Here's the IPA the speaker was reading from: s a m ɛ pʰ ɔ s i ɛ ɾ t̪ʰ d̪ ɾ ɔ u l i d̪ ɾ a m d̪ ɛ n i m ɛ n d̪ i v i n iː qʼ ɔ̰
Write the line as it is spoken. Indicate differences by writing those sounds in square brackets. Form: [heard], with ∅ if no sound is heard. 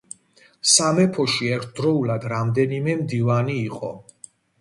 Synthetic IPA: s a m ɛ pʰ ɔ [ʃ] i ɛ ɾ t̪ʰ d̪ ɾ ɔ u l [a] d̪ ɾ a m d̪ ɛ n i m ɛ [m] d̪ i v [a] n iː qʼ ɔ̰